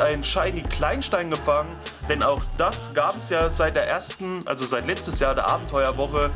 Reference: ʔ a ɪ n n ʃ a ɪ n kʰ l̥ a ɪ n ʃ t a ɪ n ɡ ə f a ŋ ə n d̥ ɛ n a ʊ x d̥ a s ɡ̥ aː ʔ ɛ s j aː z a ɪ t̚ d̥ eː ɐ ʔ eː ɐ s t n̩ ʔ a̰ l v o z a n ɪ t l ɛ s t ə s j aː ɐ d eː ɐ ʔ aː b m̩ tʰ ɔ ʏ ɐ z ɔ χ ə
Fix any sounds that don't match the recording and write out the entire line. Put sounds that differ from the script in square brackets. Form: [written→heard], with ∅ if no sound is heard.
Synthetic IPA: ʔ a ɪ n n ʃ a ɪ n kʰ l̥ a ɪ n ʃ t a ɪ n ɡ ə f a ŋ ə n d̥ ɛ n a ʊ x d̥ a s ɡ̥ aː [ʔ→p] ɛ s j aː z a ɪ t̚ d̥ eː ɐ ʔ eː ɐ s t n̩ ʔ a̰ l [v→z] o z a [n→∅] ɪ t l ɛ [s→t͡s] t ə s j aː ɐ d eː ɐ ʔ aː b m̩ tʰ ɔ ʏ ɐ [z→v] ɔ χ ə